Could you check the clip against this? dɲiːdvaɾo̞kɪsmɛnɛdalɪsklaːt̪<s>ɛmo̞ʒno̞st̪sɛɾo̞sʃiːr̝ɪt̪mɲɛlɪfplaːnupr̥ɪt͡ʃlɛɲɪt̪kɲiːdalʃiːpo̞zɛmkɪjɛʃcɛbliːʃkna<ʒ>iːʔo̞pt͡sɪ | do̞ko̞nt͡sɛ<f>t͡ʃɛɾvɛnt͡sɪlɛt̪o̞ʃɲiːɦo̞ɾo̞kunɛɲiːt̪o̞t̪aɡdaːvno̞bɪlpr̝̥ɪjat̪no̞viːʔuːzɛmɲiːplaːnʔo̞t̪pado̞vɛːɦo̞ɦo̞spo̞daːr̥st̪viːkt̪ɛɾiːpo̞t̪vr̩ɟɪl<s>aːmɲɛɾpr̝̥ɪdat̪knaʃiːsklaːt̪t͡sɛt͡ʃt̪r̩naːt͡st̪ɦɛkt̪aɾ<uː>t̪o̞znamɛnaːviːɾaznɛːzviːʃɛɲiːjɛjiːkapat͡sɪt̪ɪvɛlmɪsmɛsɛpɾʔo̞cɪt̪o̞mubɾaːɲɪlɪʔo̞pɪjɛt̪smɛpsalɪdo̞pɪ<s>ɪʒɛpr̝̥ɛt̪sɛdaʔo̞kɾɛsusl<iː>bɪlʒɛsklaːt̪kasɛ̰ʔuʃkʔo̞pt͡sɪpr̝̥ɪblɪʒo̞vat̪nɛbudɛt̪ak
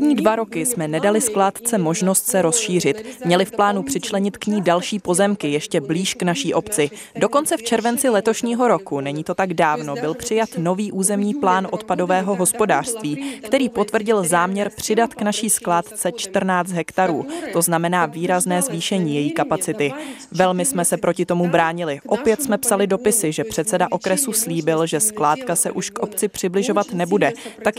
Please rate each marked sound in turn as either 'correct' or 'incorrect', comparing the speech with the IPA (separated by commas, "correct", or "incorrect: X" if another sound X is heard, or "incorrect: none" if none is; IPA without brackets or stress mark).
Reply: incorrect: t͡s, incorrect: ʃ, correct, incorrect: z, correct, correct, correct